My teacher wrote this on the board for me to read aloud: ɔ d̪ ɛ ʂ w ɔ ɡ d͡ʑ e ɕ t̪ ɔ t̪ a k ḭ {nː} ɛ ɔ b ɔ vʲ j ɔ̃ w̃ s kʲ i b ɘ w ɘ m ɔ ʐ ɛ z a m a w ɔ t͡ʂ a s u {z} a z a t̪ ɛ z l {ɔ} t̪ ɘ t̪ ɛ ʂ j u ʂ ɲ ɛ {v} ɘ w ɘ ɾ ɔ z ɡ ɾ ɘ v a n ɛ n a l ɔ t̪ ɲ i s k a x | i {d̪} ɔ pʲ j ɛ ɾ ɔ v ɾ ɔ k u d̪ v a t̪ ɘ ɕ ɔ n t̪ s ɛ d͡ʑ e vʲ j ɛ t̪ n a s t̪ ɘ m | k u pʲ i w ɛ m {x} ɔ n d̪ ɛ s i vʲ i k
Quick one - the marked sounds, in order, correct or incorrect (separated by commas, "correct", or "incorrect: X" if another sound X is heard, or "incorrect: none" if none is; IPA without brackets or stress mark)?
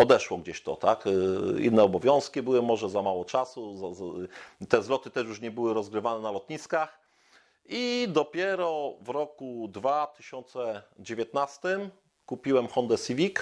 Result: correct, correct, correct, incorrect: b, correct, correct